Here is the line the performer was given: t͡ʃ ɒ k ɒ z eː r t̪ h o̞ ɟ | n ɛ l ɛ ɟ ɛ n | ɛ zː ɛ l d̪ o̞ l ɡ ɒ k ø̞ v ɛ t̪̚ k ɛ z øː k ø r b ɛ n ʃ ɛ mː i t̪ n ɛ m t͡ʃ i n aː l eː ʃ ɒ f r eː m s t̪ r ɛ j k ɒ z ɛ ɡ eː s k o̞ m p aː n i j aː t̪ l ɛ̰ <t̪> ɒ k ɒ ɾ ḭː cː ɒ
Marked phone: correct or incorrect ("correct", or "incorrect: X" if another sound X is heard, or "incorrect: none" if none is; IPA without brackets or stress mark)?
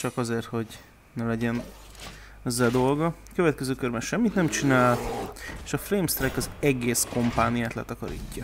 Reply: correct